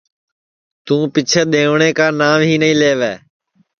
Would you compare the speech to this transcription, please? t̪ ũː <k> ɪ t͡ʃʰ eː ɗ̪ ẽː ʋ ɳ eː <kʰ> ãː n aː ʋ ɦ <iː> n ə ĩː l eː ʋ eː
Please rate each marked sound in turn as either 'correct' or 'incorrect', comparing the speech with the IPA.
incorrect, incorrect, correct

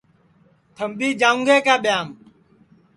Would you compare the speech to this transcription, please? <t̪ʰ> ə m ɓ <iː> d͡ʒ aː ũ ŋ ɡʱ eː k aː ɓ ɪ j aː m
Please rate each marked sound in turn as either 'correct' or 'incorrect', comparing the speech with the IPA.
correct, correct

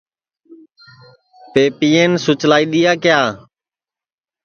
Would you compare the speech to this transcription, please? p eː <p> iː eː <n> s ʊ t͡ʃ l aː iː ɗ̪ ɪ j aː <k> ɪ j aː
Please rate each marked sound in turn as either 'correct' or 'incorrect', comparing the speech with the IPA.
correct, correct, correct

